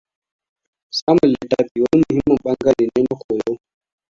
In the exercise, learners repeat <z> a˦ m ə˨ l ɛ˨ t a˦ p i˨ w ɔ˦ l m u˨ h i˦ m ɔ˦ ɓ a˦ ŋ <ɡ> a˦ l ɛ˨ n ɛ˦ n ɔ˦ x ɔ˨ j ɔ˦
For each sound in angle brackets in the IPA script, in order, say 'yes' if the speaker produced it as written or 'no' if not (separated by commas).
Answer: no, yes